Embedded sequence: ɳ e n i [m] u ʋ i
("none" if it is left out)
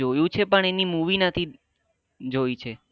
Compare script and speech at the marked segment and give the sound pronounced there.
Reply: m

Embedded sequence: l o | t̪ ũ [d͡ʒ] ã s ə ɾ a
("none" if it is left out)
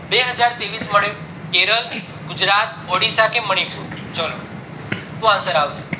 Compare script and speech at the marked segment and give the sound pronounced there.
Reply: none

